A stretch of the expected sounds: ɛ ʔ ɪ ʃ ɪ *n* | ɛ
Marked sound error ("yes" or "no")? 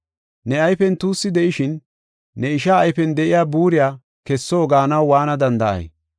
yes